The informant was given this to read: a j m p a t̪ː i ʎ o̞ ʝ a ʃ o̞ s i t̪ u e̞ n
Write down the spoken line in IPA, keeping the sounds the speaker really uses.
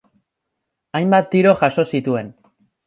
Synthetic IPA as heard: a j m b a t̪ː i ɾ o̞ ʝ a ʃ o̞ s i t̪ u e̞ n